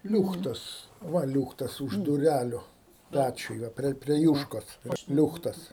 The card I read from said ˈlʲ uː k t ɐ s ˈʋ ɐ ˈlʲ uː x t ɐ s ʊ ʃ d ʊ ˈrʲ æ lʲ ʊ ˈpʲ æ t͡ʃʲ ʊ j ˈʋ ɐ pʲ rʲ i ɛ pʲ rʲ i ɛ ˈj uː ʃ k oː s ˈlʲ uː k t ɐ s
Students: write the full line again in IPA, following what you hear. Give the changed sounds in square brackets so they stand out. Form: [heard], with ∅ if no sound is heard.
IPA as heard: ˈlʲ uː [x] t ɐ s ˈʋ ɐ ˈlʲ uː x t ɐ s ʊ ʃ d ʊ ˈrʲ æ lʲ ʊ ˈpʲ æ t͡ʃʲ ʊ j ˈʋ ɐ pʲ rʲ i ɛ pʲ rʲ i ɛ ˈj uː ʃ k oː s ˈlʲ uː [x] t ɐ s